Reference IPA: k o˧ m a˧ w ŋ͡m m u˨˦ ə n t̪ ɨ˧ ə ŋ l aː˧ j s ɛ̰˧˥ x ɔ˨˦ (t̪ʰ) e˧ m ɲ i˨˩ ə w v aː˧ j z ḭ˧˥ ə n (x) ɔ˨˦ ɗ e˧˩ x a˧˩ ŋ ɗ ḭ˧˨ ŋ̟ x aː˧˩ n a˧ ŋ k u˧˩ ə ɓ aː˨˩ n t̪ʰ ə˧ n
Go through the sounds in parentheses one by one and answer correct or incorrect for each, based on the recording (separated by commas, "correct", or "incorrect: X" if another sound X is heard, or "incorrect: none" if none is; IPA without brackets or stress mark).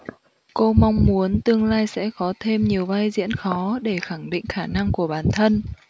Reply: correct, correct